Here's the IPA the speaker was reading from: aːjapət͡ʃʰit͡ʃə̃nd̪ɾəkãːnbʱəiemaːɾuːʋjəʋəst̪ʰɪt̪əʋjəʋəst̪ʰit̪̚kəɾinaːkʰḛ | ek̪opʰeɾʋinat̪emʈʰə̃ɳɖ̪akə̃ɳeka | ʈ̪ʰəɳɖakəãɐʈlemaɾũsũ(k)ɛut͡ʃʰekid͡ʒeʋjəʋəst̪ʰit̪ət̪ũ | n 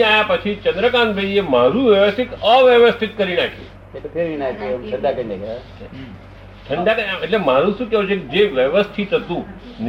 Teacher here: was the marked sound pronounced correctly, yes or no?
yes